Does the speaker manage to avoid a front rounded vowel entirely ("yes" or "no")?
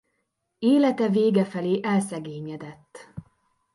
yes